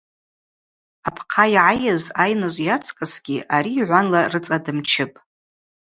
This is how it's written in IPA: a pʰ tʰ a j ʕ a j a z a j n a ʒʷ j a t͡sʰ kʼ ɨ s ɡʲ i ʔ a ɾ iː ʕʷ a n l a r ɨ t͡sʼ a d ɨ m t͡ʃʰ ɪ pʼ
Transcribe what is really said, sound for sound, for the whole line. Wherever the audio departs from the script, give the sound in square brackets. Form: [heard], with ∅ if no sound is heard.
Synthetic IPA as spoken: a pʰ [qʰ] a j ʕ a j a z a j n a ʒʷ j a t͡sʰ kʼ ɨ s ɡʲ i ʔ a ɾ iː ʕʷ a n l a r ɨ t͡sʼ a d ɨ m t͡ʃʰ ɪ pʼ